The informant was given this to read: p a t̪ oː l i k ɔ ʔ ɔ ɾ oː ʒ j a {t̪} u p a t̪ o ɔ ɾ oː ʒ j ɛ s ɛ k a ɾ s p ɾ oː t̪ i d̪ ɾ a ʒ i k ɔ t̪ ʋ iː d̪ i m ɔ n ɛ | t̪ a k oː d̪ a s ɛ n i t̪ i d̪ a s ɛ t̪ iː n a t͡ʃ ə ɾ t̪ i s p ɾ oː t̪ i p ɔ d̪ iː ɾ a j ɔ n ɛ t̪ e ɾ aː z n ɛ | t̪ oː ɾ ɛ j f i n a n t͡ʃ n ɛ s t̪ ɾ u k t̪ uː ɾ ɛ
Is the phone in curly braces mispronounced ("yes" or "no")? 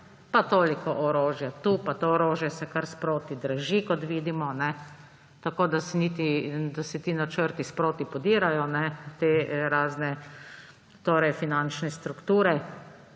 no